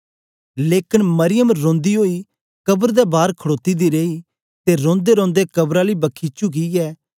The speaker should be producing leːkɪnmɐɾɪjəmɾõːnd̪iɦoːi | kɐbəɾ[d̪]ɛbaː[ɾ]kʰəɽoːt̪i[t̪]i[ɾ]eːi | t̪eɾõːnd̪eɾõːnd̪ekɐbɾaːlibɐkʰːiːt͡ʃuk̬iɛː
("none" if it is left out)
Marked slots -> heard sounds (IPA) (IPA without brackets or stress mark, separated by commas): d̪, ɾ, d̪, ɾ